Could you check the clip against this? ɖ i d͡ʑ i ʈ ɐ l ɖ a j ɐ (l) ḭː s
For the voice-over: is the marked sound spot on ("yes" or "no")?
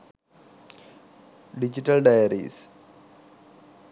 no